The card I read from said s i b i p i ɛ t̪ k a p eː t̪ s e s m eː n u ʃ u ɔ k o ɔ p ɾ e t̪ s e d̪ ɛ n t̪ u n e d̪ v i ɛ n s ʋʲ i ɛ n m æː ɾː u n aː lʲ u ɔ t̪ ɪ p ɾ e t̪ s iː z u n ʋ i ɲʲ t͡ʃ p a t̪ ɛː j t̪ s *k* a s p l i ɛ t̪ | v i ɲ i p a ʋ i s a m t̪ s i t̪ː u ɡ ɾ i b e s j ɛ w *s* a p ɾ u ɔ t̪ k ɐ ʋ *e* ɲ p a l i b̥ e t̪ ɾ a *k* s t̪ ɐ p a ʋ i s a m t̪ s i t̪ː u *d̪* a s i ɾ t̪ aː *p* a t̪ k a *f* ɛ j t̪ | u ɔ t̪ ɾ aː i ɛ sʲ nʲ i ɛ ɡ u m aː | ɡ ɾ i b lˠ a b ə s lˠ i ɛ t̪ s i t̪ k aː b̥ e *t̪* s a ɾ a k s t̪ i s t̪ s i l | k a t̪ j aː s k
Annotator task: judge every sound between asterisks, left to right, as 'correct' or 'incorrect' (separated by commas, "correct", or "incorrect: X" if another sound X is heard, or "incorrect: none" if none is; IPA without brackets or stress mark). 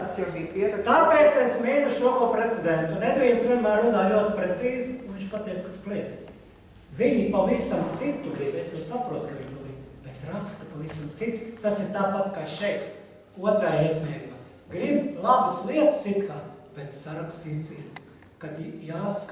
correct, correct, incorrect: i, correct, incorrect: t̪, correct, incorrect: ʃ, correct